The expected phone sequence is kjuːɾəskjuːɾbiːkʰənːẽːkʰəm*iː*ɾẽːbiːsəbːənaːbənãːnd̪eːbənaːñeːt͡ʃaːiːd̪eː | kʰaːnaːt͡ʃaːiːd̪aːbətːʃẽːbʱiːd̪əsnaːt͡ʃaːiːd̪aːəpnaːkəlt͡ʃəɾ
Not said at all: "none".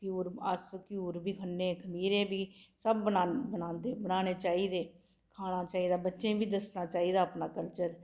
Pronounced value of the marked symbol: iː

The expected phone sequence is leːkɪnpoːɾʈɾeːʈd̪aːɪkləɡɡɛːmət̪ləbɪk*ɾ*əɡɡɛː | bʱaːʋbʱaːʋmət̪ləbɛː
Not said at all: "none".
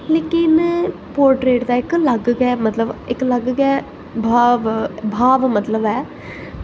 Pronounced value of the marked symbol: l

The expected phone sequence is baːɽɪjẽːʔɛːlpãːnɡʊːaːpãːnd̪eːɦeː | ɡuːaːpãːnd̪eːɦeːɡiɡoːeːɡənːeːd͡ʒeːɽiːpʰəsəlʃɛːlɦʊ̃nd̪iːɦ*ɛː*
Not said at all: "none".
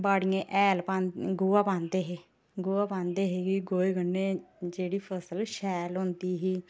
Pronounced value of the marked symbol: iː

